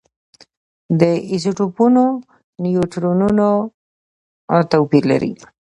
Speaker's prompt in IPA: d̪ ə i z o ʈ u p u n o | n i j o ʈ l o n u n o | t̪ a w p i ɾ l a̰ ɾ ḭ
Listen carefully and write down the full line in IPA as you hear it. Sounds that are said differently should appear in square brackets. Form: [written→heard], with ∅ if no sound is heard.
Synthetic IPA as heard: d̪ ə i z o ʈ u p u n o | n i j o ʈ [l→ɾ] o n u n o | t̪ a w p i ɾ l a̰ ɾ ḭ